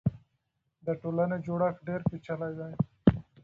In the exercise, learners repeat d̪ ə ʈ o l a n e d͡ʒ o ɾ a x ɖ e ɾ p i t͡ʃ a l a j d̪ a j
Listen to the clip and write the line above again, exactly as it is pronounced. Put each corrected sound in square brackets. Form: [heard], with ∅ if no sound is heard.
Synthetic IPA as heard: d̪ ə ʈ o l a n e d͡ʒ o [ɽ] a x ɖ e ɾ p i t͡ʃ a l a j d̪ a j